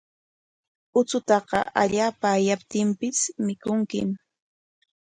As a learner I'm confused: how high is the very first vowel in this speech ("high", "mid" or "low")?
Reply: high